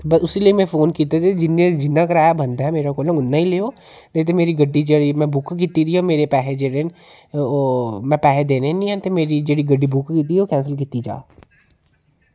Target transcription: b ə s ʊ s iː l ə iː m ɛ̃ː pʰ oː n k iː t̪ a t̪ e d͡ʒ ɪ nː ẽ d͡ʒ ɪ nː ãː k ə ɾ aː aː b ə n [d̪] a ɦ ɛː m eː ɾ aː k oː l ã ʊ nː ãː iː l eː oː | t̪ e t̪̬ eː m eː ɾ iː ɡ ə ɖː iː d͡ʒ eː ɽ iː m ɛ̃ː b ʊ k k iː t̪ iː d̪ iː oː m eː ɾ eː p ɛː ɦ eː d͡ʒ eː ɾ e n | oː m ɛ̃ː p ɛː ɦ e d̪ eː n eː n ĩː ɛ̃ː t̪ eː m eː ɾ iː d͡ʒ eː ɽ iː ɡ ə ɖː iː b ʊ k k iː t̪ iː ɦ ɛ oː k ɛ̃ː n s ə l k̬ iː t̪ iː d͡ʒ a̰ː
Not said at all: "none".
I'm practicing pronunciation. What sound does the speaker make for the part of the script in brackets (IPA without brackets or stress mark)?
d̪